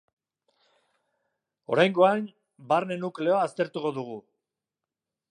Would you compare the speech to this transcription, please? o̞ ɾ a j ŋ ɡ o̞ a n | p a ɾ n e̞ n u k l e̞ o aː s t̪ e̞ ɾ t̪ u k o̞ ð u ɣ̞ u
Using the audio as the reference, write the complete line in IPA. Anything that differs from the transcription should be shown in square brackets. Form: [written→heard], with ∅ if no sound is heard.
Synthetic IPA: o̞ ɾ a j ŋ ɡ o̞ a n | [p→b] a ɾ n e̞ n u k l e̞ o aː s t̪ e̞ ɾ t̪ u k o̞ ð u ɣ̞ u